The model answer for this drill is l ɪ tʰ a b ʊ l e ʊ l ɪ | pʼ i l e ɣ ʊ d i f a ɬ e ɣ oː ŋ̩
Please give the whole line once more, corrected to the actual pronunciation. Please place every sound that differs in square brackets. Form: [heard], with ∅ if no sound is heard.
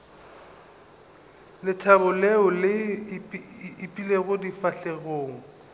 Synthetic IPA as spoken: l ɪ tʰ a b ʊ l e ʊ l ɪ | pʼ i l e ɣ ʊ d i f a ɬ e ɣ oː ŋ̩